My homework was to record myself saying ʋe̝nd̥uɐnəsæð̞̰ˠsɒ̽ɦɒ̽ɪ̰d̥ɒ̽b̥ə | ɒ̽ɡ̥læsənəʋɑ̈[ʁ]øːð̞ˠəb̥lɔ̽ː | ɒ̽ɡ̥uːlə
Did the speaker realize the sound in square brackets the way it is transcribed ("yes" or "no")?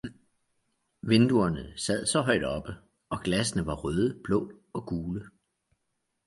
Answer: yes